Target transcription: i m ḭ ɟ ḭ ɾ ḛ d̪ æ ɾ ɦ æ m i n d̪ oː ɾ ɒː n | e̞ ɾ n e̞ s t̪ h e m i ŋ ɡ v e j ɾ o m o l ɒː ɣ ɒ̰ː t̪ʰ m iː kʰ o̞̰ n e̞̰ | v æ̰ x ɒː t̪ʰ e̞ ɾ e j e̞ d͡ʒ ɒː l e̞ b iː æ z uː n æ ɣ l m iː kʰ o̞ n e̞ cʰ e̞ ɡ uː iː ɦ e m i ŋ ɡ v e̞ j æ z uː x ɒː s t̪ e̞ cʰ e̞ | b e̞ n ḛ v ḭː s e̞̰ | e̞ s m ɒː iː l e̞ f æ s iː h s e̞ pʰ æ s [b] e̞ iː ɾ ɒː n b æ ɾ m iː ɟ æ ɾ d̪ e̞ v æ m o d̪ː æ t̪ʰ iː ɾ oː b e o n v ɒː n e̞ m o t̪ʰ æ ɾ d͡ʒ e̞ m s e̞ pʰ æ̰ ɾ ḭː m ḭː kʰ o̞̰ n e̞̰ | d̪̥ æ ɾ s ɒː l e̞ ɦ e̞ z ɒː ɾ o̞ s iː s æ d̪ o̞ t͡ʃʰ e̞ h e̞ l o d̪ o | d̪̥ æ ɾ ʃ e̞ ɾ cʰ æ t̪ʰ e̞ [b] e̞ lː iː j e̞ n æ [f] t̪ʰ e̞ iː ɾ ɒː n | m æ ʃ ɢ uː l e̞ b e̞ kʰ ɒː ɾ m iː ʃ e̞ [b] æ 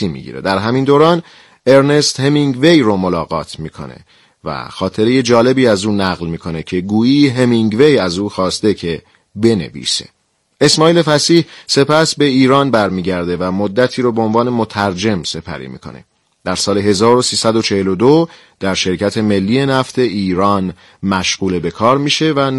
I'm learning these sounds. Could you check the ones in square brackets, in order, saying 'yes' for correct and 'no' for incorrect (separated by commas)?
yes, no, yes, no